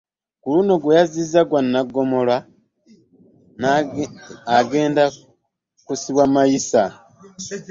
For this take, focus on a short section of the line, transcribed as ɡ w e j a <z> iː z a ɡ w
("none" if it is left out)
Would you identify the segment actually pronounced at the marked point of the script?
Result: z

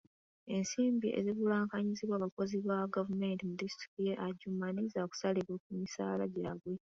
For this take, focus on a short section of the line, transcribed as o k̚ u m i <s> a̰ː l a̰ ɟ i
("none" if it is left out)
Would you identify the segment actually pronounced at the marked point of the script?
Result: s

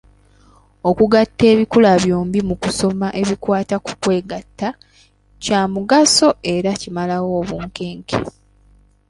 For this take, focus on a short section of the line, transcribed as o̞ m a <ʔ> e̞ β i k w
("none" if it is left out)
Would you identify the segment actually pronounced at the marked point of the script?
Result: ʔ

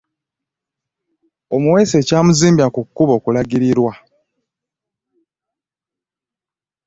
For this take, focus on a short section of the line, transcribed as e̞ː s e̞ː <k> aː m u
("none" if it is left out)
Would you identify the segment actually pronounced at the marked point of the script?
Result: c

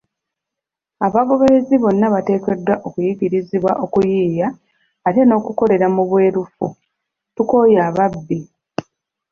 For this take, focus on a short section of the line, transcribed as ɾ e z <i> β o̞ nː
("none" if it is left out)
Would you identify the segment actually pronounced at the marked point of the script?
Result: i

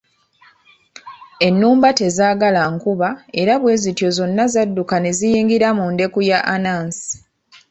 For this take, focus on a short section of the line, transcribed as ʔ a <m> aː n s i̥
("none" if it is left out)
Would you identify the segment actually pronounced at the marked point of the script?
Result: n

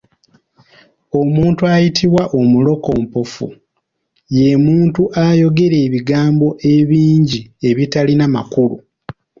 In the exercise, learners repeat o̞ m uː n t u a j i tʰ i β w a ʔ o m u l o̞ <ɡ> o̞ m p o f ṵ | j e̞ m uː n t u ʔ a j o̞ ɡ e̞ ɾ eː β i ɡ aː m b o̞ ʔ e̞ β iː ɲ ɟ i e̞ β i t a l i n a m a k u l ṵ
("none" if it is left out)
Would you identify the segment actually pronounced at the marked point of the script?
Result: k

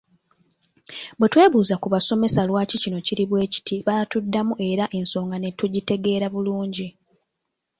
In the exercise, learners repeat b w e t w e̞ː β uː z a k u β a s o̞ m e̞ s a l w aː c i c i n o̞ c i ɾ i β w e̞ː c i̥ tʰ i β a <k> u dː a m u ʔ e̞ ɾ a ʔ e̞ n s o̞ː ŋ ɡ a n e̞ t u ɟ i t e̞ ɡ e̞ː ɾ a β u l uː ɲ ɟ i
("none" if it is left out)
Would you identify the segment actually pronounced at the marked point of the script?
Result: t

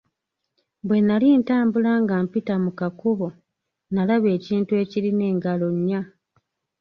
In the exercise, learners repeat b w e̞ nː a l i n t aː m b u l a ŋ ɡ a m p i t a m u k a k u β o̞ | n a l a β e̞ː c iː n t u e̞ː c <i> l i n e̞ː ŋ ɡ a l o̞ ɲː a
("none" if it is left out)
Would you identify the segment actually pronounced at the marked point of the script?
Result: i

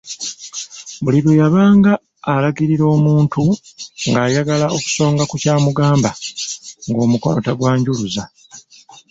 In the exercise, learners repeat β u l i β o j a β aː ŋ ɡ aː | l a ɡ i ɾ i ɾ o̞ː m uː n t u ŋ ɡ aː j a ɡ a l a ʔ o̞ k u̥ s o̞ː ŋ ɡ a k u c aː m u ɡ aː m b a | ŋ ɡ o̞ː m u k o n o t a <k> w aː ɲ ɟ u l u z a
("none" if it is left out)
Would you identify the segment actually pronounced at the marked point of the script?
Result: ɡ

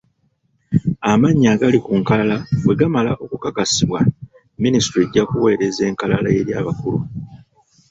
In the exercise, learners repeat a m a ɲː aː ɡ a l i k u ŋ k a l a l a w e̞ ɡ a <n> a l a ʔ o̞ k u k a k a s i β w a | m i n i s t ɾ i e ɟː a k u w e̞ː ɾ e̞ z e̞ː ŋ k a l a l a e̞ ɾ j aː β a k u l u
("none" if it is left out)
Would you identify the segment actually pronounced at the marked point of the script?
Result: m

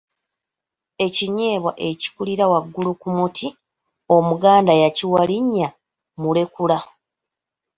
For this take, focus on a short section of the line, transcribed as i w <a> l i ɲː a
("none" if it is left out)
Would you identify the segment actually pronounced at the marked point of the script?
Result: a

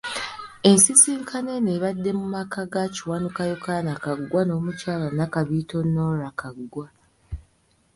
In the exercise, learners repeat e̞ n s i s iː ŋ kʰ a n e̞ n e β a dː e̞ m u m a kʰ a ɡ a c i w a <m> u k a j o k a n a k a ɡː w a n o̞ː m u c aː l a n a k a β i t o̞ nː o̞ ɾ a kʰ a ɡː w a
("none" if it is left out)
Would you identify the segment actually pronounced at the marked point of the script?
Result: n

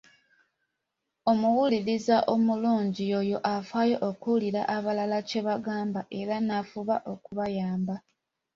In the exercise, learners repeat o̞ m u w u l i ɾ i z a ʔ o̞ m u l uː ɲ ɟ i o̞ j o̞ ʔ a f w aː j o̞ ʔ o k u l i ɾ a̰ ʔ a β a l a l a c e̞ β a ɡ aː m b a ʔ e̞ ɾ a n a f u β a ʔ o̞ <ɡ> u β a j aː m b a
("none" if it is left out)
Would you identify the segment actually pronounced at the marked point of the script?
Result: k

